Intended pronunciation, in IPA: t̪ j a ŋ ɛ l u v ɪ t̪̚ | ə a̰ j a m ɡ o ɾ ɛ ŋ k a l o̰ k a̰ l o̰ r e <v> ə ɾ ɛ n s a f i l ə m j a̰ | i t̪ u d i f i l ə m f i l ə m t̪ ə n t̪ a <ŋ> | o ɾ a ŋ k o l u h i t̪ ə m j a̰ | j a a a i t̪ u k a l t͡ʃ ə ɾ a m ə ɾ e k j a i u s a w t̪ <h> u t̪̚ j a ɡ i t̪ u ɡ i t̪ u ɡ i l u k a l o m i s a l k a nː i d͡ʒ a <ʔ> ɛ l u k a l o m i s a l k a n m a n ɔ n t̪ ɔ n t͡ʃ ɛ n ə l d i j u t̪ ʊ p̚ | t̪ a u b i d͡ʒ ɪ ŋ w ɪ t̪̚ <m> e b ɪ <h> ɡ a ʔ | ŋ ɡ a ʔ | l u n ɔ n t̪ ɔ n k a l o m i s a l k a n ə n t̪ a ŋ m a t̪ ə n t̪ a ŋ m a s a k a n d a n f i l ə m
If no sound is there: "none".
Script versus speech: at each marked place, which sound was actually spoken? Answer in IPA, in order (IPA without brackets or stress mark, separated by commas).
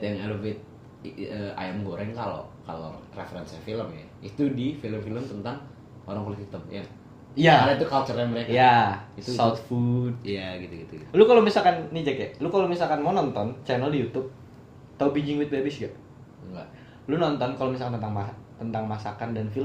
f, ŋ, f, k, b, s